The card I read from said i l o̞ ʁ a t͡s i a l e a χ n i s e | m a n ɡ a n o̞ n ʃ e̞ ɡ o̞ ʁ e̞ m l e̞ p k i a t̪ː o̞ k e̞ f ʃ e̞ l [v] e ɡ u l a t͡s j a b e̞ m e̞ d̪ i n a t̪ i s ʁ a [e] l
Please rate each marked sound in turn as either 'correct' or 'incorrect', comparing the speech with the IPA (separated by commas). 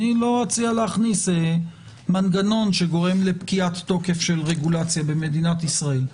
incorrect, correct